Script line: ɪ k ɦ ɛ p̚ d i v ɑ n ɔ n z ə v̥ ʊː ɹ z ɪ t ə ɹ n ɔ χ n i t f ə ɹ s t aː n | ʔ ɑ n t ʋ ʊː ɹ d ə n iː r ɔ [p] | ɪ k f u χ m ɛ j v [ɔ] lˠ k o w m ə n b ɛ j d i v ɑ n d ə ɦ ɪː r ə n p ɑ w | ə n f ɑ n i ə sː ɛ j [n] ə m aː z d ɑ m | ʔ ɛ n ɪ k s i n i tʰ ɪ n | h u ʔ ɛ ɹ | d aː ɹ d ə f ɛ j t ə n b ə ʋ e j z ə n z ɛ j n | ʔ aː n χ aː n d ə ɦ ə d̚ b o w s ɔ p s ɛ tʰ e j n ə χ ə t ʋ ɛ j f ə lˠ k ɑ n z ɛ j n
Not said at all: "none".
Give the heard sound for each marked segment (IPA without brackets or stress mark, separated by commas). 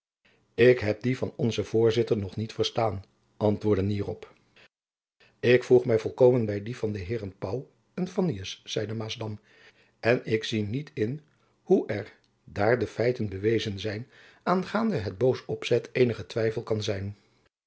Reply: p, ɔ, d